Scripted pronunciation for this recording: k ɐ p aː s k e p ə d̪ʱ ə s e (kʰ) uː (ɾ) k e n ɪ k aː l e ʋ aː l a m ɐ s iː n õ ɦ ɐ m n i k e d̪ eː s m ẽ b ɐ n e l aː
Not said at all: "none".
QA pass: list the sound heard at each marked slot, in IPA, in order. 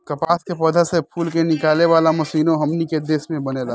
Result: pʰ, l

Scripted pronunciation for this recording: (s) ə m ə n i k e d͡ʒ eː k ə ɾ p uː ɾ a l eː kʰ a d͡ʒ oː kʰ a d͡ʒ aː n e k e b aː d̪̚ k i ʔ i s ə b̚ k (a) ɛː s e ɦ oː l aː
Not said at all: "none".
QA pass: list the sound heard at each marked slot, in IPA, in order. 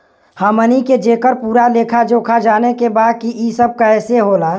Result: h, a

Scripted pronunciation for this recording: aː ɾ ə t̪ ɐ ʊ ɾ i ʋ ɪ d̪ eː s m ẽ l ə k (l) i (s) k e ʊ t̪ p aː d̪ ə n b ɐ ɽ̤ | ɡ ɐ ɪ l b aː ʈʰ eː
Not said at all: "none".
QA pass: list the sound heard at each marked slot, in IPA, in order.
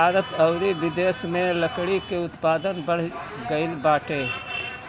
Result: ɽ, none

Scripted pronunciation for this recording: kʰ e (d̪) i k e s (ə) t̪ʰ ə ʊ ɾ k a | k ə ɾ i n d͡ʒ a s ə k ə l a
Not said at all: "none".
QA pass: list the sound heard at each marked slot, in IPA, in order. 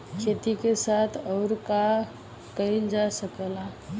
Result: t̪, a

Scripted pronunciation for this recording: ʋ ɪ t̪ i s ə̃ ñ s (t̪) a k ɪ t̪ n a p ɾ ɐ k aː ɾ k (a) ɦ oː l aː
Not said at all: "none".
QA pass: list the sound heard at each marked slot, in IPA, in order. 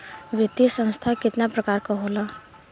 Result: t̪ʰ, a

